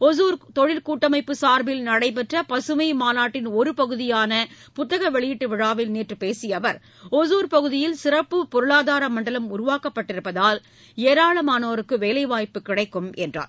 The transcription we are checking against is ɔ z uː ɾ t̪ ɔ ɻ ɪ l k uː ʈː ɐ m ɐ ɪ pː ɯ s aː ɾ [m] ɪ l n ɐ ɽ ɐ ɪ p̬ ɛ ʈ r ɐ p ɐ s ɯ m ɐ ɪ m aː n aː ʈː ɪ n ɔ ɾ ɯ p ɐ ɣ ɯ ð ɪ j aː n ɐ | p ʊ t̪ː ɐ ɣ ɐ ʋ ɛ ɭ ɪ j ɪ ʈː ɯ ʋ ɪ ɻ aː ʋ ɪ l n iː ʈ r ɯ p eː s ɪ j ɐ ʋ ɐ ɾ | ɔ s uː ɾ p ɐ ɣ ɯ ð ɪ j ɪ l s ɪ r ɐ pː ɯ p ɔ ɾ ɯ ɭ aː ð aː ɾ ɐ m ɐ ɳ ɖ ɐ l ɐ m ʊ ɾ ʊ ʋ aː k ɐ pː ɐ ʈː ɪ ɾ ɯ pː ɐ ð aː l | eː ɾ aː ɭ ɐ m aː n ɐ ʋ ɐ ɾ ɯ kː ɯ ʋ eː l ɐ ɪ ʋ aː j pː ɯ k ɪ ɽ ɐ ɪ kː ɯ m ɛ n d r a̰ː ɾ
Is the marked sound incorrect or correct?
incorrect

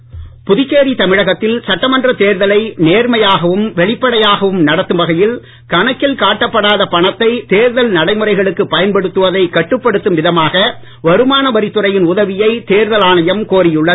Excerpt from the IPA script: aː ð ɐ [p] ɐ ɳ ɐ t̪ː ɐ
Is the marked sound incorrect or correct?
correct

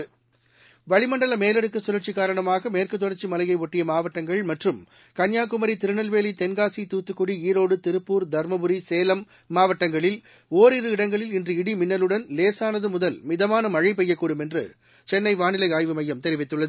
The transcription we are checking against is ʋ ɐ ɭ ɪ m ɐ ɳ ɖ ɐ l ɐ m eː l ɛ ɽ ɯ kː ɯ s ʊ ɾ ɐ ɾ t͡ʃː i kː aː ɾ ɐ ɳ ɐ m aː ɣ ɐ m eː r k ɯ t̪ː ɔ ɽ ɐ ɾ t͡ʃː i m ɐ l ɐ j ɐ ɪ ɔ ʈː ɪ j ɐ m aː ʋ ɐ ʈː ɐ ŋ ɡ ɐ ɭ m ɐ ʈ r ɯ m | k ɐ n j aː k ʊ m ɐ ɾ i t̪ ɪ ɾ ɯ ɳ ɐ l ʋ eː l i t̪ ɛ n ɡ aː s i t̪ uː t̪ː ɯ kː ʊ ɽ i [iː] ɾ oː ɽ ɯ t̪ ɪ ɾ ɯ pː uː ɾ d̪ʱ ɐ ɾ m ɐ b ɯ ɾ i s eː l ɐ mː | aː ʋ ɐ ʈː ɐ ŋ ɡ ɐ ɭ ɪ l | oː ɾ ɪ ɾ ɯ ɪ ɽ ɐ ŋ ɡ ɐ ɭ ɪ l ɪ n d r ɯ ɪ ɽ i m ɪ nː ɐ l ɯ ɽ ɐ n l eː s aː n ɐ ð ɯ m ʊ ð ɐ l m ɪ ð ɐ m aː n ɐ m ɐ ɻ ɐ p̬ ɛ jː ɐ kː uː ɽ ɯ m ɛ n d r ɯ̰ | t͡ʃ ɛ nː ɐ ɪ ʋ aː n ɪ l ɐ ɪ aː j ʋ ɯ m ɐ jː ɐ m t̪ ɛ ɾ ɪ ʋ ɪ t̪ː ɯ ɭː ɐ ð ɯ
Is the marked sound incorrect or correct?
correct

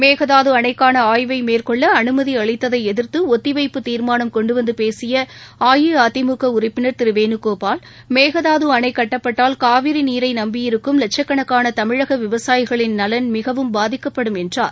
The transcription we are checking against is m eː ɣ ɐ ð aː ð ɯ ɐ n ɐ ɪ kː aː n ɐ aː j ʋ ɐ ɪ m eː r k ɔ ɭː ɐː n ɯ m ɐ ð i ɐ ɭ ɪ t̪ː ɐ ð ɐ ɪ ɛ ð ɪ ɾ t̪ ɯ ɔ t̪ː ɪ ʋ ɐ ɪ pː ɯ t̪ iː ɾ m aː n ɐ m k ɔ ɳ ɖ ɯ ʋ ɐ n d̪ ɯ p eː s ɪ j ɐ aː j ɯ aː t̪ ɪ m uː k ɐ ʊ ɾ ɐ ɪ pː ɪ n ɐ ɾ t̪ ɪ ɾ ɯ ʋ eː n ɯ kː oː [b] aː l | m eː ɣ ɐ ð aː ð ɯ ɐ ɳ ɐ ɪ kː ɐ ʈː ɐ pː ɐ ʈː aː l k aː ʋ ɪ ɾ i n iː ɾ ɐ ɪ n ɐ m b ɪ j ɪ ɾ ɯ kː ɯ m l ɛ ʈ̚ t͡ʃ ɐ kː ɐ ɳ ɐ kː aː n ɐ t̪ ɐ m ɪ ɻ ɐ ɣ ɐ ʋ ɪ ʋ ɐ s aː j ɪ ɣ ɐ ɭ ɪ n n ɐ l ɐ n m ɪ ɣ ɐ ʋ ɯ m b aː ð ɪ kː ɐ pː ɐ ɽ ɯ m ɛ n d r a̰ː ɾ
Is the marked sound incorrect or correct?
incorrect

